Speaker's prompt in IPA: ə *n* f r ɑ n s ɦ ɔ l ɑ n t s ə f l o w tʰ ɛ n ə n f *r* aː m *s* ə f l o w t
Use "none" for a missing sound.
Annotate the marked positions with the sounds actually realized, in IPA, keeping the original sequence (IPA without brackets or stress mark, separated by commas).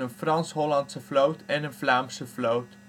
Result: n, l, s